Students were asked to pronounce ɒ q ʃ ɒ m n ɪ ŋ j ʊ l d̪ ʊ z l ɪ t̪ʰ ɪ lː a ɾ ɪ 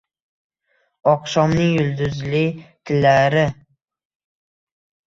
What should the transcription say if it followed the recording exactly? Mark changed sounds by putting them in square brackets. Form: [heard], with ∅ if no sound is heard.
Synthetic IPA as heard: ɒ q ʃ ɒ m n ɪ ŋ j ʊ l d̪ ʊ z l ɪ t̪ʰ ɪ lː a ɾ ɪ